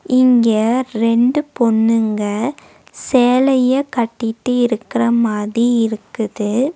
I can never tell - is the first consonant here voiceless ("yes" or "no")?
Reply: no